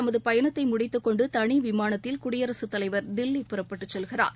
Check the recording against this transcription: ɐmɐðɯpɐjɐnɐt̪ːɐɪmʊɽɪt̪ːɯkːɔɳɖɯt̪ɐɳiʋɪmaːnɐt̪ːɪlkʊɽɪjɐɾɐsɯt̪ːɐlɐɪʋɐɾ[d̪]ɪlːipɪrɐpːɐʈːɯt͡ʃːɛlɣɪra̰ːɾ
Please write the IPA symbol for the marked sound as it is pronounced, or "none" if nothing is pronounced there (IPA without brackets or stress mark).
d̪